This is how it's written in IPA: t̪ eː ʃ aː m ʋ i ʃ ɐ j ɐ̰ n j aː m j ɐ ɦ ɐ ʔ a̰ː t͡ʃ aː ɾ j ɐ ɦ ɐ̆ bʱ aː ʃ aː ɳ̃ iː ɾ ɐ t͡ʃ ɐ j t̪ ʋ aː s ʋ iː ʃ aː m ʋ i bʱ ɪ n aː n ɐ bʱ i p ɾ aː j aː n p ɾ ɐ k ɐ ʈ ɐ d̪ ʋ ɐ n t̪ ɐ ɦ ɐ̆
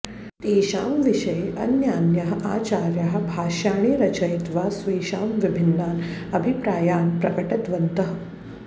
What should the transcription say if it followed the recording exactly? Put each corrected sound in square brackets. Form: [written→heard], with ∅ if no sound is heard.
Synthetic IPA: t̪ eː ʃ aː m ʋ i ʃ ɐ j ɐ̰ n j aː [m→n] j ɐ ɦ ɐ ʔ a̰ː t͡ʃ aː ɾ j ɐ ɦ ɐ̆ bʱ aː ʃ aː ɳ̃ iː ɾ ɐ t͡ʃ ɐ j t̪ ʋ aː s ʋ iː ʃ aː m ʋ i bʱ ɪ [n→nː] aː n ɐ bʱ i p ɾ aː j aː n p ɾ ɐ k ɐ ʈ ɐ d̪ ʋ ɐ n t̪ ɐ ɦ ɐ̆